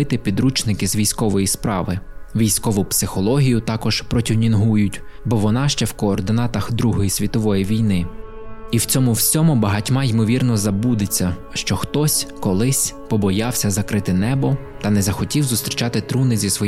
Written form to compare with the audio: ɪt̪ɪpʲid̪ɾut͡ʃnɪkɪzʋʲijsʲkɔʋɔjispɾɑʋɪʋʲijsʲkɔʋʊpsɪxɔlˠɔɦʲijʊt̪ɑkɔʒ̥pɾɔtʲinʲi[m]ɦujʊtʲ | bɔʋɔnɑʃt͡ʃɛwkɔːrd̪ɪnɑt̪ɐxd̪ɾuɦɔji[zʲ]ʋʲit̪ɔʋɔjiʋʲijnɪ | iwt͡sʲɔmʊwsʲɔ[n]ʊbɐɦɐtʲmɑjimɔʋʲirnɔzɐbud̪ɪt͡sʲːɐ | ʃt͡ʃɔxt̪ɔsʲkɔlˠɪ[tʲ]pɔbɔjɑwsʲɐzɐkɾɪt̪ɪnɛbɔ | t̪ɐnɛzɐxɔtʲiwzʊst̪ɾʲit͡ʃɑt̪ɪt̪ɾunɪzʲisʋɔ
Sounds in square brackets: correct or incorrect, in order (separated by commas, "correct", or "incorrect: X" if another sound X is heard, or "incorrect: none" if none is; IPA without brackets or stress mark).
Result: incorrect: n, incorrect: sʲ, incorrect: m, incorrect: sʲ